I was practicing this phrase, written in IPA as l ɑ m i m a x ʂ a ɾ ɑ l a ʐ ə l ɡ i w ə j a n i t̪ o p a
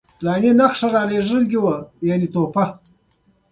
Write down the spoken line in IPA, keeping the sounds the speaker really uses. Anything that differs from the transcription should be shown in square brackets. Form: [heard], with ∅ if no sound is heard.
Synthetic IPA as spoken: l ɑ [n] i [n] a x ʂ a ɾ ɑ l [e] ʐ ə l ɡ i w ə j a n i t̪ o p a

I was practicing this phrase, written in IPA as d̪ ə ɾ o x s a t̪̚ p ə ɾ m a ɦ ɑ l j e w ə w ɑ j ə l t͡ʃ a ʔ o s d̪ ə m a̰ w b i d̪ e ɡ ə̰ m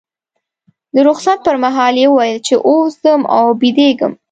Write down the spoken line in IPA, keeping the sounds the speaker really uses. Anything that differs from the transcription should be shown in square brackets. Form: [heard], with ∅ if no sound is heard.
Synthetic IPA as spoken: d̪ ə ɾ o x s a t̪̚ p ə ɾ m a ɦ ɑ l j e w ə w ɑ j ə l t͡ʃ [e] ʔ o s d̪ ə m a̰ w b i d̪ e ɡ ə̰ m

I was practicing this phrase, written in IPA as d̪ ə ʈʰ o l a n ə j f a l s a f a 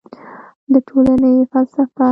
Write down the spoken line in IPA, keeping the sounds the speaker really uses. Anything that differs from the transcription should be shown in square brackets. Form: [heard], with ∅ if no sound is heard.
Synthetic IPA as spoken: d̪ ə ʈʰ o l a n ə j f a l s a f a

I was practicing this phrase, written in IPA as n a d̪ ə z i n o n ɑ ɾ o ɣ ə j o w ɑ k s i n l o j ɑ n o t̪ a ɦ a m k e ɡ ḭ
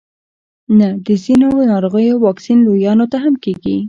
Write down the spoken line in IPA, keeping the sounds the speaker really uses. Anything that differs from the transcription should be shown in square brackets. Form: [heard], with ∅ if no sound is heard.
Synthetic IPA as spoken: n a d̪ ə z i n o n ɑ ɾ o ɣ ə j o w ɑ k s i n l o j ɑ n o t̪ a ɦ a m k e ɡ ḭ

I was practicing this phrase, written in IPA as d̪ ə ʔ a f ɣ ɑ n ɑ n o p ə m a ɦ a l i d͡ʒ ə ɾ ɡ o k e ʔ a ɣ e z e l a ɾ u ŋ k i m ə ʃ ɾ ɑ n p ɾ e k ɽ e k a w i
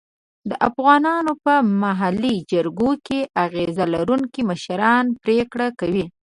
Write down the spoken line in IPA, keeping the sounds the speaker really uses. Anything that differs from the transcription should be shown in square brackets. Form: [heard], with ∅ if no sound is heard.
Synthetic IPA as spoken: d̪ ə ʔ a f ɣ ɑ n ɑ n o p ə m a ɦ a l i d͡ʒ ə ɾ ɡ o k e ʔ a ɣ e z [a] l a ɾ u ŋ k i m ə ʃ ɾ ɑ n p ɾ e k ɽ [a] k a w i

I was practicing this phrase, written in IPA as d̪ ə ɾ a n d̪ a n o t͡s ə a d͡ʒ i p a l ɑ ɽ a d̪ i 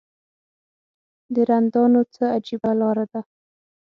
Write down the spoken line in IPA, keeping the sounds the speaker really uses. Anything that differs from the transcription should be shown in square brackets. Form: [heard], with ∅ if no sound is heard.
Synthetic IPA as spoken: d̪ ə ɾ a n d̪ [ɑ] n o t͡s ə a d͡ʒ i [b] a l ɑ [ɾ] a d̪ [a]

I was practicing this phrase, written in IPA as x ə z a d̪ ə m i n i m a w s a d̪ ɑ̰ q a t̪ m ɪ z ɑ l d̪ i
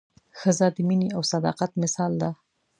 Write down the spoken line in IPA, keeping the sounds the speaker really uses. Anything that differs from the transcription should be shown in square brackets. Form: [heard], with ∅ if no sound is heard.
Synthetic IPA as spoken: x ə z a d̪ ə m i n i [∅] a w s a d̪ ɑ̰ q a t̪ m ɪ [s] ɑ l d̪ [a]

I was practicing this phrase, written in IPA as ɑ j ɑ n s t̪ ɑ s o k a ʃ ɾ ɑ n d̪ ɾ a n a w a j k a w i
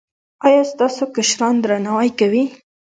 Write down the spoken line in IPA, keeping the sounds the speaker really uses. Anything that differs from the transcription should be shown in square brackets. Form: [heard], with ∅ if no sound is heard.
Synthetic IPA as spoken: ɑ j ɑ [∅] s t̪ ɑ s o k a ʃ ɾ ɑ n d̪ ɾ a n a w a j k a w i

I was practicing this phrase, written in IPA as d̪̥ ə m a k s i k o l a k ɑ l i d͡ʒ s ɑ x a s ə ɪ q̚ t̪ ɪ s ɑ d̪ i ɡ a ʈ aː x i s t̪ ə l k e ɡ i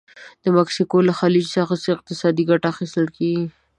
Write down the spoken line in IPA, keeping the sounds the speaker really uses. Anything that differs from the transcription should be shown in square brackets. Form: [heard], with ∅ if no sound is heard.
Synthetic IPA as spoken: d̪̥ ə m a k s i k o l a [x] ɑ l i d͡ʒ s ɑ x a s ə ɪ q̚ t̪ ɪ s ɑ d̪ i ɡ a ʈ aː x i s t̪ ə l k e ɡ i

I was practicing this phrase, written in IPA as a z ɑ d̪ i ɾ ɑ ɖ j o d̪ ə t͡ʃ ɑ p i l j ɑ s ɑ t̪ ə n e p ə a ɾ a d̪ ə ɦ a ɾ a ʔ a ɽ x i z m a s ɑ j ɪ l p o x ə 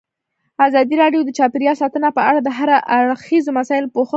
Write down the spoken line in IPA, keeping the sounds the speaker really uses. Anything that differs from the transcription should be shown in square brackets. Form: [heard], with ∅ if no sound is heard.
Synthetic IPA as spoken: a z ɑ d̪ i ɾ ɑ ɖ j o d̪ ə t͡ʃ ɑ p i [ɾ] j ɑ s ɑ t̪ ə n [a] p ə a [ɽ] a d̪ ə ɦ a ɾ a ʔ a ɽ x i z m a s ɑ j ɪ l p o x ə

